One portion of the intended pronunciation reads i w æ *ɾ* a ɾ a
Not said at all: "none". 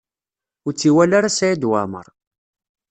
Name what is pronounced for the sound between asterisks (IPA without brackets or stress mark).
l